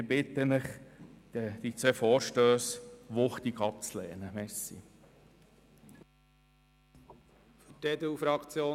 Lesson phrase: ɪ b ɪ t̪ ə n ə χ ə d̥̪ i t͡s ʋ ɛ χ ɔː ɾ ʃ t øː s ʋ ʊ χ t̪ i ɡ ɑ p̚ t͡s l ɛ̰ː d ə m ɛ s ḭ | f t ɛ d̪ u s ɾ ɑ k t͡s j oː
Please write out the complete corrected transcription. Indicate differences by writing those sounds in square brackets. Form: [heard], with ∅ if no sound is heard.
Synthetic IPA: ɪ b ɪ t̪ ə n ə χ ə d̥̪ i t͡s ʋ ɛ [f] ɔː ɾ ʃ t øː s ʋ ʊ χ t̪ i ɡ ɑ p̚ t͡s l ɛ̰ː [n] ə m ɛ s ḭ | f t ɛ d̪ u [f] ɾ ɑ k t͡s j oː